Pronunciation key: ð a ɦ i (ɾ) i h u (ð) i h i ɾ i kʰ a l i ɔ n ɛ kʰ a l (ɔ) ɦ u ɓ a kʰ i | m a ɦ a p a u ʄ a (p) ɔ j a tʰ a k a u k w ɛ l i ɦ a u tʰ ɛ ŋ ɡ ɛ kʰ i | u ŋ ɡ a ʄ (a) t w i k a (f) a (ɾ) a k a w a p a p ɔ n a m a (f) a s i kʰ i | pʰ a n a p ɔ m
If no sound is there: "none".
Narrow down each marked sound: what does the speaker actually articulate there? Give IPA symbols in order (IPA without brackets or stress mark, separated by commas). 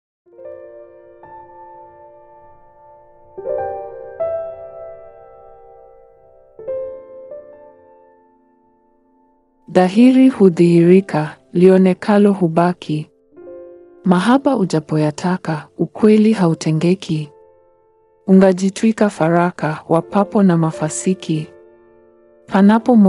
ɾ, ð, ɔ, p, i, f, ɾ, f